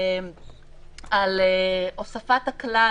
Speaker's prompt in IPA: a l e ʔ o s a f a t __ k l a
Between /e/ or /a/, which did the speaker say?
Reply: a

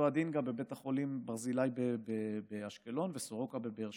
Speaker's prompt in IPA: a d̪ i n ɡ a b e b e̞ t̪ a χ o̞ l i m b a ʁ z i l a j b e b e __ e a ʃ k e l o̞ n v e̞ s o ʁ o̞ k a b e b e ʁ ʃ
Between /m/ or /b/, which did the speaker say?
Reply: b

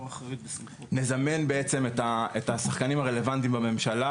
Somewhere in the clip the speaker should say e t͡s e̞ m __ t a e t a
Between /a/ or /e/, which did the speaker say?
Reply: e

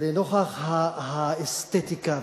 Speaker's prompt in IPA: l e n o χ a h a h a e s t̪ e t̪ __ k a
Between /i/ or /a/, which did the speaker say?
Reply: i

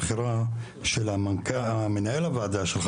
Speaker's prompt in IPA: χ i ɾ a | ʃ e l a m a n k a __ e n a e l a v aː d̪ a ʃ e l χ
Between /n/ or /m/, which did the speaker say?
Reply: m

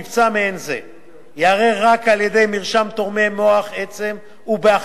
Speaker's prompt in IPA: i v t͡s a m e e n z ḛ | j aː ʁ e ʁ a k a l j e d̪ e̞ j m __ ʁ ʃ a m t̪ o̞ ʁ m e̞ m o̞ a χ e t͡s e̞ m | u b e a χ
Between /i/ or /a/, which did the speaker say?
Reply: i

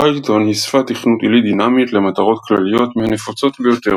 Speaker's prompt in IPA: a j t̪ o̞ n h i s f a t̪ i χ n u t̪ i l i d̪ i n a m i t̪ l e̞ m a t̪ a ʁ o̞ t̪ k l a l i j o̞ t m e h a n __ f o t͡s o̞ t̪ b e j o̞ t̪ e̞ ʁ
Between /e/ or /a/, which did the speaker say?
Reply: e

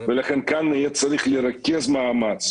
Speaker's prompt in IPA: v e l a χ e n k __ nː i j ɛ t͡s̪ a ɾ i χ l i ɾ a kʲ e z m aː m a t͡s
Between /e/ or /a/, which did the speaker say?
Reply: a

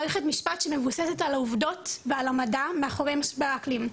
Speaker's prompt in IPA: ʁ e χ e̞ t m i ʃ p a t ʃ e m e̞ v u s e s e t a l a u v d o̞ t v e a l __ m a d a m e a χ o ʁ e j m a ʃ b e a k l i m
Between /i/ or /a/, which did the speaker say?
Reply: a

